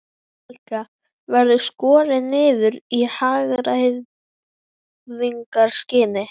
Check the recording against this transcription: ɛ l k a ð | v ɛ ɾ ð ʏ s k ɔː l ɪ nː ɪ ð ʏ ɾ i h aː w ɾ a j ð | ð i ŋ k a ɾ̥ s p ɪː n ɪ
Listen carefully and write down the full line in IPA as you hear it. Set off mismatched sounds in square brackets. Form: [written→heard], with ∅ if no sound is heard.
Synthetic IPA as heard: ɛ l k a [ð→∅] | v ɛ ɾ ð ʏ s k ɔː [l→ɾ] ɪ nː [ɪ→ɪː] ð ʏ ɾ i h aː [w→ɣ] ɾ a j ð | ð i ŋ k a ɾ̥ s [p→c] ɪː n ɪ